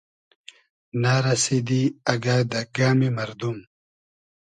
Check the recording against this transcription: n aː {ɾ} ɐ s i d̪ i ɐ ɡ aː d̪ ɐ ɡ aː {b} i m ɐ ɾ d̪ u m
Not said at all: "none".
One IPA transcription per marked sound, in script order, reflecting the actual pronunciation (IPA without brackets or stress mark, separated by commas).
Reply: ɾ, m